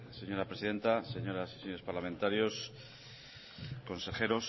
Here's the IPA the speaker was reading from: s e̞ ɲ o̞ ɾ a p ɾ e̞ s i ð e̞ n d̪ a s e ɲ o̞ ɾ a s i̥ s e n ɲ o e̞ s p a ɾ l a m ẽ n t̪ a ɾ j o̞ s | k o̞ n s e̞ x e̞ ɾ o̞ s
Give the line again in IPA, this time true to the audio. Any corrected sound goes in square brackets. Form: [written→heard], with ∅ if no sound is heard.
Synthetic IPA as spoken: s e̞ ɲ o̞ ɾ a p ɾ e̞ s i ð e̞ n [d̪→t̪] a s e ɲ o̞ ɾ a s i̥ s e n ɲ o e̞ s p a ɾ l a m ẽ n t̪ a ɾ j o̞ s | k o̞ n s e̞ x e̞ ɾ o̞ s

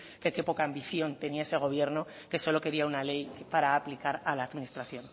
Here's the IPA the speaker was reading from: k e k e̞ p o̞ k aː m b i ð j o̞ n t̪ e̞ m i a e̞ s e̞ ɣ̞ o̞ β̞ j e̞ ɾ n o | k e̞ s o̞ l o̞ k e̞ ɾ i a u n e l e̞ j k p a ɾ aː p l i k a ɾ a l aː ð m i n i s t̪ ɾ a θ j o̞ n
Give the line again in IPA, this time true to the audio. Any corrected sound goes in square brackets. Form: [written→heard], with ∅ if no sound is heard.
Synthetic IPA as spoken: k e k e̞ p o̞ k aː m b i [ð→θ] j o̞ n t̪ e̞ [m→n] i a e̞ s e̞ ɣ̞ o̞ β̞ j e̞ ɾ n o | k e̞ s o̞ l o̞ k e̞ ɾ i a u n [e→a] l e̞ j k p a ɾ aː p l i k a ɾ a l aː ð m i n i s t̪ ɾ a θ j o̞ n

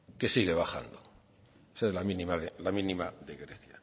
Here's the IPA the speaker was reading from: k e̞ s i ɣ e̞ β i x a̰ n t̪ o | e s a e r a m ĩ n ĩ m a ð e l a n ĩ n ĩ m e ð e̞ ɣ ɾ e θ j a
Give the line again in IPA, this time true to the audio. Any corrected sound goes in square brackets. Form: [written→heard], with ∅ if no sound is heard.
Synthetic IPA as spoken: k e̞ s i ɣ e̞ β [i→a] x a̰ n [t̪→d̪] o | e s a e [r→l] a m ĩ n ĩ m a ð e l a [n→m] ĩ n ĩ m [e→a] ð e̞ ɣ ɾ e θ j a

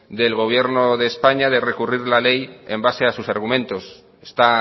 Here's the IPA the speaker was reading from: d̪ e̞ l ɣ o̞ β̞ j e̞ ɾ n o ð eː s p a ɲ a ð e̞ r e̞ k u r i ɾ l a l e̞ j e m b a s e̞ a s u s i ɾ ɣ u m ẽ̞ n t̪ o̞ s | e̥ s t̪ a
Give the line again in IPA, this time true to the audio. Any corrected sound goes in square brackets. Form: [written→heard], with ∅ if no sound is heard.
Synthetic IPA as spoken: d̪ e̞ l ɣ o̞ β̞ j e̞ ɾ n o ð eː s p a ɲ a ð e̞ r e̞ k u r i ɾ l a l e̞ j e m b a s e̞ a s u s [i→a] ɾ ɣ u m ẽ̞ n t̪ o̞ s | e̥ s t̪ a

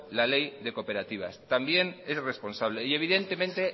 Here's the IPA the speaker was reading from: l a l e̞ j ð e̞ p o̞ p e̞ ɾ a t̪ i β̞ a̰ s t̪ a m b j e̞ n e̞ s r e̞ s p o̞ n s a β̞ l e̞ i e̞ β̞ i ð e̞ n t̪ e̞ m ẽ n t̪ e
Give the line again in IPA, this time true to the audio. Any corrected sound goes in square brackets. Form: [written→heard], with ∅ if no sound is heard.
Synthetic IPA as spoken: l a l e̞ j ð e̞ [p→k] o̞ p e̞ ɾ a t̪ i β̞ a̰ s t̪ a m b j e̞ n e̞ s r e̞ s p o̞ n s a β̞ l e̞ i e̞ β̞ i ð e̞ n t̪ e̞ m ẽ n t̪ e

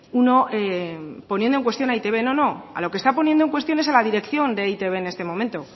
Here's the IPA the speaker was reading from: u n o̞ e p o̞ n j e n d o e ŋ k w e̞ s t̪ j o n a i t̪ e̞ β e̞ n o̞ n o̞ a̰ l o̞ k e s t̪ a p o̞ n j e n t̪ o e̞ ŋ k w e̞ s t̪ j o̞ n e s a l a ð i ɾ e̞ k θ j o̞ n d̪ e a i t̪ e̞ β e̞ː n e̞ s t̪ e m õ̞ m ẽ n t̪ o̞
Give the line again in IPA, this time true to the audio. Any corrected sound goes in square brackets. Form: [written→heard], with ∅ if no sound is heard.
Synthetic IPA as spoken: u n o̞ e p o̞ n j e n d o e ŋ k w e̞ s t̪ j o n a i t̪ e̞ β e̞ n o̞ n o̞ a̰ l o̞ k e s t̪ a p o̞ n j e n [t̪→d̪] o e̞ ŋ k w e̞ s t̪ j o̞ n e s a l a ð i ɾ e̞ k θ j o̞ n d̪ e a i t̪ e̞ β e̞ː n e̞ s t̪ e m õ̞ m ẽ n t̪ o̞

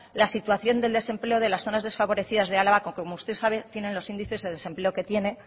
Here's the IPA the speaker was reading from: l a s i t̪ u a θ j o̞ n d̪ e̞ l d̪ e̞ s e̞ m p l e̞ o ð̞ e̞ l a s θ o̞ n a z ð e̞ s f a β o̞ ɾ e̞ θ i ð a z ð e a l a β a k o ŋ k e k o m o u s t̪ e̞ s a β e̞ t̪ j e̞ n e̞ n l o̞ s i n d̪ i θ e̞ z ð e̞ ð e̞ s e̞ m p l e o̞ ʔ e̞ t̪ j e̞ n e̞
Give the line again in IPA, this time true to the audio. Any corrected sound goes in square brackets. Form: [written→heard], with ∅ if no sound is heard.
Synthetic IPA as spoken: l a s i t̪ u a θ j o̞ n d̪ e̞ l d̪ e̞ s e̞ m p l e̞ o ð̞ e̞ l a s θ o̞ n a z ð e̞ s f a β o̞ ɾ e̞ θ i ð a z ð e a l a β a k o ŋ k e k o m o u s t̪ e̞ s a β e̞ t̪ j e̞ n e̞ n l o̞ s i n d̪ i θ e̞ z ð e̞ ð e̞ s e̞ m p l e o̞ [ʔ→k] e̞ t̪ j e̞ n e̞

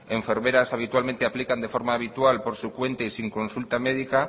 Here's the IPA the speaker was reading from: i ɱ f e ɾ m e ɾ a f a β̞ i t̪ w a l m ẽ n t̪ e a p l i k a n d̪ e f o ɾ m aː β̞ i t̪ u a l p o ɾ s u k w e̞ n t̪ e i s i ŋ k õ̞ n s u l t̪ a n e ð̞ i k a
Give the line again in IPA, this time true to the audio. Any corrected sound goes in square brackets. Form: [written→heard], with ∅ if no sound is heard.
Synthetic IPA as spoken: [i→e] ɱ f e ɾ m e ɾ a [f→s] a β̞ i t̪ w a l m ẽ n t̪ e a p l i k a n d̪ e f o ɾ m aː β̞ i t̪ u a l p o ɾ s u k w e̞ n t̪ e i s i ŋ k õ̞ n s u l t̪ a [n→m] e ð̞ i k a

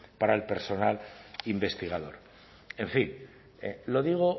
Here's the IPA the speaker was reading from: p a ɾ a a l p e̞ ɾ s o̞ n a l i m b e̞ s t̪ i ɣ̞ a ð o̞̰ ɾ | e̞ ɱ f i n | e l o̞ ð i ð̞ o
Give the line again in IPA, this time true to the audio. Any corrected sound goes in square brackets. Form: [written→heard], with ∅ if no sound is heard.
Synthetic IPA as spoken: p a ɾ a [a→e] l p e̞ ɾ s o̞ n a l i m b e̞ s t̪ i ɣ̞ a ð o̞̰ ɾ | e̞ ɱ f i n | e l o̞ ð i [ð̞→ɣ̞] o

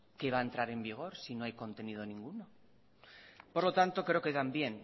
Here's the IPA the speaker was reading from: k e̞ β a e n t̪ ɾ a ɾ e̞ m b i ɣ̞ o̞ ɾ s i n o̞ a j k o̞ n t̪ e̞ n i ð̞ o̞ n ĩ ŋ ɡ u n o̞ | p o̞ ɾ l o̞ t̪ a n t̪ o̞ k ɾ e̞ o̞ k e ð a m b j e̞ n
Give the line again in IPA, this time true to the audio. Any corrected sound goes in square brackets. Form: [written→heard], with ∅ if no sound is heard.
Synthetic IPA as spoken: k e̞ β a e n t̪ ɾ a ɾ e̞ m b i ɣ̞ o̞ ɾ s i n o̞ a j k o̞ n t̪ e̞ n i ð̞ o̞ n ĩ ŋ ɡ u n o̞ | p o̞ ɾ l o̞ t̪ a n t̪ o̞ k ɾ e̞ o̞ k e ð a m b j e̞ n

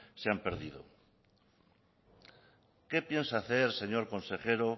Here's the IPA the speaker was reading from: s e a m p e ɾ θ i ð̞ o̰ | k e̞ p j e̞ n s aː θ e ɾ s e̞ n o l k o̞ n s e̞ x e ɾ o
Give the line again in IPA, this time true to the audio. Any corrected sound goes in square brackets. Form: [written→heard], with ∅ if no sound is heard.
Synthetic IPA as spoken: s e a m p e ɾ [θ→ð] i ð̞ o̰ | k e̞ p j e̞ n s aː θ e ɾ s e̞ [n→ɲ] o [l→ɾ] k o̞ n s e̞ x e ɾ o

